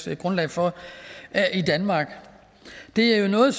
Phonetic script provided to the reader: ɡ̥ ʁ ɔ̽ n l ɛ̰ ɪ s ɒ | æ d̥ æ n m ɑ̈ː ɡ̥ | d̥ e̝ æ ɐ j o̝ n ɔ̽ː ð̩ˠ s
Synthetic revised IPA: ɡ̥ ʁ ɔ̽ n l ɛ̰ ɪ f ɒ | i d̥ æ n m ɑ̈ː ɡ̥ | d̥ e̝ æ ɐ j o̝ n ɔ̽ː ð̩ˠ s